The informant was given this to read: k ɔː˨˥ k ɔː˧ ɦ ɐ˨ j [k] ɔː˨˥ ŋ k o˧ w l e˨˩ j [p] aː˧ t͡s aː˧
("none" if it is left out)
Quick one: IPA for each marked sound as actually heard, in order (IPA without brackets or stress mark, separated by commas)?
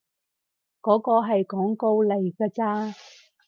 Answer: k, k